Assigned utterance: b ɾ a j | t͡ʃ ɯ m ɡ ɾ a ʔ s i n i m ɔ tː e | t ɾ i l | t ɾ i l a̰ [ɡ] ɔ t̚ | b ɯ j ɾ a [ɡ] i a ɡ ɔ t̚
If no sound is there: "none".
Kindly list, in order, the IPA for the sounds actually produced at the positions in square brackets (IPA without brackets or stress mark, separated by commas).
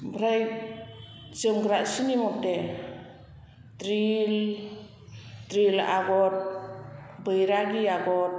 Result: ɡ, ɡ